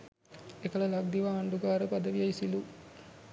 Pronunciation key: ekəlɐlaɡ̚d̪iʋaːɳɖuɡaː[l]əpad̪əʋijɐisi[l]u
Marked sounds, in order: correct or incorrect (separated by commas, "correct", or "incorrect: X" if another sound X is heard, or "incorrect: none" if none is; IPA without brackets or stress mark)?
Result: incorrect: ɾ, correct